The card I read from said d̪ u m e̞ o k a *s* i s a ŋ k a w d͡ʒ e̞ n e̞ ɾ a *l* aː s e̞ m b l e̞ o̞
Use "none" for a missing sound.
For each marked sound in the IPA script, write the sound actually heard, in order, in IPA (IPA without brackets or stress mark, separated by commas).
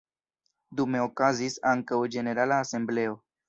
z, l